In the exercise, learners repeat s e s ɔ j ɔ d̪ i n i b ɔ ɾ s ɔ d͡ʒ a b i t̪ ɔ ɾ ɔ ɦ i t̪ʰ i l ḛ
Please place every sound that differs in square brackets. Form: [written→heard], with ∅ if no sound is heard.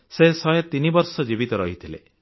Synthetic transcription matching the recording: s e s ɔ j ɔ [d̪→t̪] i n i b ɔ ɾ s ɔ d͡ʒ [a→i] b i t̪ ɔ ɾ ɔ ɦ i t̪ʰ i l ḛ